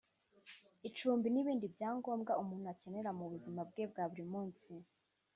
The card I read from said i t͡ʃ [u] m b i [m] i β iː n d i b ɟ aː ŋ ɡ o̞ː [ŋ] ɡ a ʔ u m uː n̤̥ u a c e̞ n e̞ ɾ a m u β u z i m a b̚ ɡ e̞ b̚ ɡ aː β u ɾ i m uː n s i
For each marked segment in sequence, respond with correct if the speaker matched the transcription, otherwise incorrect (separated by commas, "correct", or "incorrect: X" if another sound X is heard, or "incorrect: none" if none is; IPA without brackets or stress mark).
incorrect: uː, incorrect: n, incorrect: m